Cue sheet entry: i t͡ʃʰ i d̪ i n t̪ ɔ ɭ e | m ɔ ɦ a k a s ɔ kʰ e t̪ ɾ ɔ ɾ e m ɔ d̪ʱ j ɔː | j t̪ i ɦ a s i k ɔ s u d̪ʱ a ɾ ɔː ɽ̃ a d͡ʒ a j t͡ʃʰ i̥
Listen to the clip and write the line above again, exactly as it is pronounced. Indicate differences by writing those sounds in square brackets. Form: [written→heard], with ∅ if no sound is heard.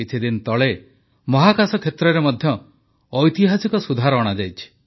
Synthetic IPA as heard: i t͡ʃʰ i d̪ i n t̪ ɔ ɭ e | m ɔ ɦ a k a s ɔ kʰ e t̪ ɾ ɔ ɾ e m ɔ d̪ʱ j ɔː | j t̪ i ɦ a s i k ɔ s u d̪ʱ a ɾ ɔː ɽ̃ a d͡ʒ a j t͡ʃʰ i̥